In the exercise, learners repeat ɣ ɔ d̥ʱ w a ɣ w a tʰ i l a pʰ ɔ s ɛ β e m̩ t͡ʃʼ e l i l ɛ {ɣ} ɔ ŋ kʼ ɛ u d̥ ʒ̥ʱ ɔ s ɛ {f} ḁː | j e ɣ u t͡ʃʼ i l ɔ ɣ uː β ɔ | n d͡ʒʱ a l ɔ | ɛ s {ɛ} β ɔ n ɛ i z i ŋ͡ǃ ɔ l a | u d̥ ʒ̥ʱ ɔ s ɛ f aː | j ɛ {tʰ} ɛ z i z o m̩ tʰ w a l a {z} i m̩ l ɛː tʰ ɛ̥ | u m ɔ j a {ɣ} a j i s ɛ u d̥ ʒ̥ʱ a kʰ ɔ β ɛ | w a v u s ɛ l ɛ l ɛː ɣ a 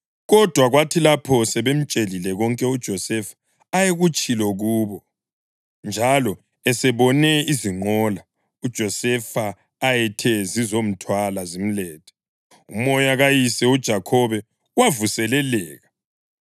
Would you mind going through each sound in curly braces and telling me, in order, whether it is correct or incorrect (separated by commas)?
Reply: correct, correct, correct, correct, correct, correct